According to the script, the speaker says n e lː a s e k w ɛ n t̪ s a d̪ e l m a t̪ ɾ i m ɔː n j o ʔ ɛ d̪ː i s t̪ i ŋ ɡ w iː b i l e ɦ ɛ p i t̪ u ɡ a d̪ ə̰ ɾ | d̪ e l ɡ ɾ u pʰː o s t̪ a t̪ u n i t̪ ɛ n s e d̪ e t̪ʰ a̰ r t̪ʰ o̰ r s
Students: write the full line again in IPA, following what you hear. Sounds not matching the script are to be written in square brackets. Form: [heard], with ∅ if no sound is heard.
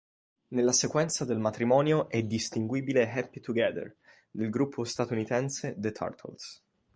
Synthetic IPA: n e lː a s e k w ɛ n t̪ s a d̪ e l m a t̪ ɾ i m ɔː n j o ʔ ɛ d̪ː i s t̪ i ŋ ɡ w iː b i l e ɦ ɛ p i t̪ u ɡ [ɛ] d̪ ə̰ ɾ | d̪ e l ɡ ɾ u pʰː o s t̪ a t̪ u n i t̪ ɛ n s e d̪ e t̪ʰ a̰ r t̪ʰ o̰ [l] s